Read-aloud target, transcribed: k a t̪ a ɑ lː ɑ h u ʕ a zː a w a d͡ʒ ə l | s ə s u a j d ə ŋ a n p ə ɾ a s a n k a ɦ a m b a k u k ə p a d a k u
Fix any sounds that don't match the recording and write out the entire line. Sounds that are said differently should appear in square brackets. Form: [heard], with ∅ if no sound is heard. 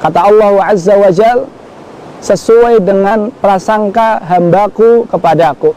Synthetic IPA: k a t̪ a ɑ lː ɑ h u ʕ a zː a w a d͡ʒ [a] l | s ə s u a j d ə ŋ a n p ə ɾ a s a [ŋ] k a ɦ a m b a k u k ə p a d a k u